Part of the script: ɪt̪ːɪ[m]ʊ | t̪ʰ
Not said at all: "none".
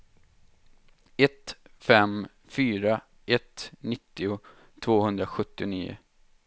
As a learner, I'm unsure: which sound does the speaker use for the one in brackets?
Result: none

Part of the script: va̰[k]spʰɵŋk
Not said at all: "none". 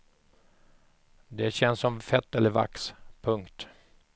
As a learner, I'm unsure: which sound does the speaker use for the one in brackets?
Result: k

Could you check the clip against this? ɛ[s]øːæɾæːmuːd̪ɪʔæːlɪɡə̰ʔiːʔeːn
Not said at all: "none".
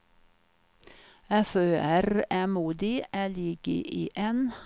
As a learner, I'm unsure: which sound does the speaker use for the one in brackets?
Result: f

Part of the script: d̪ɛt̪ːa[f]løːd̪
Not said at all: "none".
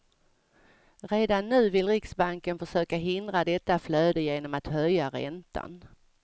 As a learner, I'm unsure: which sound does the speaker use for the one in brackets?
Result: f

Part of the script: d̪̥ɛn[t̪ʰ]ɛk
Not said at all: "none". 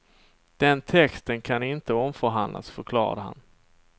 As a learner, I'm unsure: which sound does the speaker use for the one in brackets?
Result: t̪ʰ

